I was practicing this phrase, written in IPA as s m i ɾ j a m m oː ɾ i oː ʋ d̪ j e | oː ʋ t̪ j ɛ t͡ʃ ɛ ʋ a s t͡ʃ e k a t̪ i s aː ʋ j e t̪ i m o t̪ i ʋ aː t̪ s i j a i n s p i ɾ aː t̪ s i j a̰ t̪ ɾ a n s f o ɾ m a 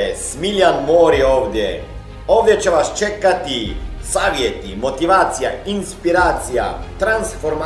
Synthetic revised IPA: s m i l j a n m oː ɾ i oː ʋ d̪ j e | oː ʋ d̪ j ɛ t͡ʃ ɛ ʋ a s t͡ʃ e k a t̪ i s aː ʋ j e t̪ i m o t̪ i ʋ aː t̪ s i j a i n s p i ɾ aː t̪ s i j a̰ t̪ ɾ a n s f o ɾ m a